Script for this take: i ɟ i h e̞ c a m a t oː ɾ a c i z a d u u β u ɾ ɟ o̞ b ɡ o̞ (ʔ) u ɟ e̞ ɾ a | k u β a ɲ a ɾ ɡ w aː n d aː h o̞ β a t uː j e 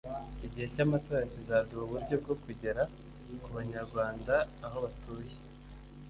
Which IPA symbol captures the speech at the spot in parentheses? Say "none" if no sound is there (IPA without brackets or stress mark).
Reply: k